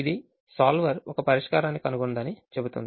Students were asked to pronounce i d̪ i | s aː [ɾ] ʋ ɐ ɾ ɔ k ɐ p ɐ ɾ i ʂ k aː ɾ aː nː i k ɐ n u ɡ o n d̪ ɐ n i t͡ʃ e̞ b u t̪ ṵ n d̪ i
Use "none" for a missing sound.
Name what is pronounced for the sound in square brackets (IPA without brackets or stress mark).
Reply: l